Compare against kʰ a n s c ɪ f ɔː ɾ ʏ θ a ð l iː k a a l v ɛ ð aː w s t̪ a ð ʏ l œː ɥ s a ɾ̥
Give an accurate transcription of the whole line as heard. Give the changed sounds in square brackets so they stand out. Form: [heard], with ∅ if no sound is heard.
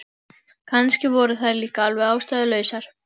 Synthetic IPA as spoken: kʰ a n s c ɪ [v] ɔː ɾ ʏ θ a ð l iː k a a l v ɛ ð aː w s t̪ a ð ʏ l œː ɥ s a ɾ̥

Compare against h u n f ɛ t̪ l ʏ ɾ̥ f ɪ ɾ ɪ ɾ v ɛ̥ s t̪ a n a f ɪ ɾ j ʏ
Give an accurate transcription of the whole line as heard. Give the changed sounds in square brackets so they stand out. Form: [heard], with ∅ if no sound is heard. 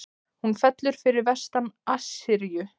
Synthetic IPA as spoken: h u n f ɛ t̪ l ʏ ɾ̥ f ɪ ɾ ɪ ɾ v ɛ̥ s t̪ a n a [s] ɪ ɾ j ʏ

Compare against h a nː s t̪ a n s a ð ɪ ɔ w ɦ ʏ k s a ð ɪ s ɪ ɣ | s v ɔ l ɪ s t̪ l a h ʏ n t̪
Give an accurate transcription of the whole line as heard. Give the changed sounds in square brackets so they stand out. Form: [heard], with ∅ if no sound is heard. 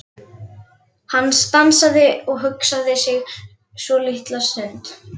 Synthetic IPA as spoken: h a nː s t̪ a n s a ð ɪ ɔ [ɣ] ɦ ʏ k s a ð ɪ s ɪ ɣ | s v ɔ l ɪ [h] t̪ l a [s] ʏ n t̪

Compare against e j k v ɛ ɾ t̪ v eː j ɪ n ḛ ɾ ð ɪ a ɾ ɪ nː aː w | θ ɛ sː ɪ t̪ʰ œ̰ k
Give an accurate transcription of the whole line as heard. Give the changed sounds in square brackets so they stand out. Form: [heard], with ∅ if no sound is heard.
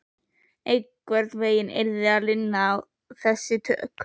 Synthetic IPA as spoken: e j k v ɛ ɾ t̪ v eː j ɪ n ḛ ɾ ð ɪ a [l] ɪ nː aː w | θ ɛ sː ɪ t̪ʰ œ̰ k

